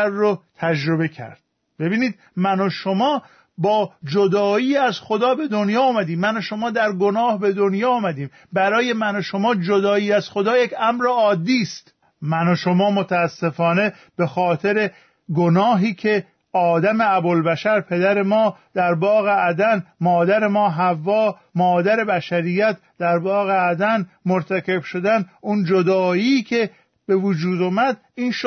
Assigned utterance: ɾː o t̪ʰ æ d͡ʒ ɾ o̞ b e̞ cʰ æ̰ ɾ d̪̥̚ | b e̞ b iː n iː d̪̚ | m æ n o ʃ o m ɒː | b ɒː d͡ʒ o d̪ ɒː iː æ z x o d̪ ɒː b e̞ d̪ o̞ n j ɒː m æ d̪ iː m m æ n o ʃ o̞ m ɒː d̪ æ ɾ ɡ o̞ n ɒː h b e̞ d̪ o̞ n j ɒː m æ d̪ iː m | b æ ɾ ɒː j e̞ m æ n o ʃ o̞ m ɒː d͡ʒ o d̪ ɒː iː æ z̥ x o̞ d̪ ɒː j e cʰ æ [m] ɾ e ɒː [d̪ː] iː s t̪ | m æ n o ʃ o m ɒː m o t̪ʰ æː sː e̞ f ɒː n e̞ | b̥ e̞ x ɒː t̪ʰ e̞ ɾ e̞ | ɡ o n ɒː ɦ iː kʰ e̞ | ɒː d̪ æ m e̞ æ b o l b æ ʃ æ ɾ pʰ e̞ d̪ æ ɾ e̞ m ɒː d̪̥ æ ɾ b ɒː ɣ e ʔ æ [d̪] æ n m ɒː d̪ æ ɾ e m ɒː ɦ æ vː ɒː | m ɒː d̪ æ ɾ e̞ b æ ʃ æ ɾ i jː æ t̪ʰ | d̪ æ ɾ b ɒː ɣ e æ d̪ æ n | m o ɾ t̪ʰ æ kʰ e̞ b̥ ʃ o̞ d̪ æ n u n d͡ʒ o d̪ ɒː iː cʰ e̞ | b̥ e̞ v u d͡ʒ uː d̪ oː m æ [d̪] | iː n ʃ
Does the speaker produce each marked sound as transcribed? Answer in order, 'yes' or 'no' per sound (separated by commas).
yes, yes, yes, yes